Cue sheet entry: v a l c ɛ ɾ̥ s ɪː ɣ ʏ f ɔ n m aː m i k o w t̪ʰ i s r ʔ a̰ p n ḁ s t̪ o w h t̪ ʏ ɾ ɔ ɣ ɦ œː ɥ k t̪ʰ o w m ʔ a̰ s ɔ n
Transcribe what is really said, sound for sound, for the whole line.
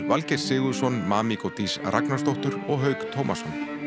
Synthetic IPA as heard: v a l c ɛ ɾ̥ s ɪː ɣ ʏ s ɔ n m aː m i k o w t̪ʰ i s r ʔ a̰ k n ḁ s t̪ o w h t̪ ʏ ɾ ɔ ɣ ɦ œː ɥ k t̪ʰ o w m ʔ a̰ s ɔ n